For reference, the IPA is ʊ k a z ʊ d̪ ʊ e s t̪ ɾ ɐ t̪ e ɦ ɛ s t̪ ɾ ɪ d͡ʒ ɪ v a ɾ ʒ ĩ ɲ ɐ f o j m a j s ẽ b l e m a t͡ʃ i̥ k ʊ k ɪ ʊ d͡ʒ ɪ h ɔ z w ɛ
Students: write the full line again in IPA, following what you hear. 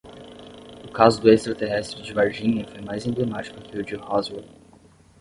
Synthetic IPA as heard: ʊ k a z ʊ d̪ ʊ e s t̪ ɾ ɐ t̪ e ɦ ɛ s t̪ ɾ ɪ d͡ʒ ɪ v a ɾ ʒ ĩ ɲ ɐ f o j m a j z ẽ b l e m a t͡ʃ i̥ k ʊ k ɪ ʊ d͡ʒ ɪ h ɔ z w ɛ